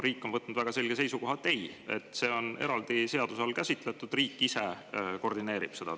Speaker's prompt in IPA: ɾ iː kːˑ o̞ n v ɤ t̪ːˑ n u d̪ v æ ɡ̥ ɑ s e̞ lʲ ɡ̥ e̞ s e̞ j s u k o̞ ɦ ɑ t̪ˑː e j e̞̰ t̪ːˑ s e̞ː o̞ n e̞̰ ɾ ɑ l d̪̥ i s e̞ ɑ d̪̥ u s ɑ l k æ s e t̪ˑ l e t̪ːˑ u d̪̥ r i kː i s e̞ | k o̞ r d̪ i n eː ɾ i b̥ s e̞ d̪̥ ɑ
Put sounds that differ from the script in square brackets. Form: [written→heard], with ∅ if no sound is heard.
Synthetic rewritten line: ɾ iː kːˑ o̞ n v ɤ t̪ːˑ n u d̪ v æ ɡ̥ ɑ s e̞ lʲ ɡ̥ e̞ s e̞ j s u k o̞ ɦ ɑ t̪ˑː e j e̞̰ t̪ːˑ s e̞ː o̞ n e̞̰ ɾ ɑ l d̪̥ i s e̞ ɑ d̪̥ u s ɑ l k æ s [e→i] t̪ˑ l e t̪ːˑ u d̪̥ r [i→iː] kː i s e̞ | k o̞ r d̪ i n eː ɾ i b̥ s e̞ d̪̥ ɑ